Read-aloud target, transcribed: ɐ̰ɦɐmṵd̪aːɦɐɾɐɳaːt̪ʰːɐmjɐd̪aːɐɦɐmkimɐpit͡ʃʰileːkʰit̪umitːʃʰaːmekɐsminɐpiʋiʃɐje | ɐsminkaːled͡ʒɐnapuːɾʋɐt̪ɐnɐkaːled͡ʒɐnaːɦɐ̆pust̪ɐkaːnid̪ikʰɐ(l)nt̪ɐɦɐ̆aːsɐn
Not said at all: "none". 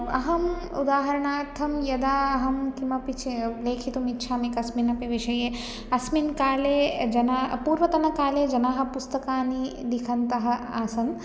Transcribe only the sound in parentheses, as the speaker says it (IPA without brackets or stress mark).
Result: none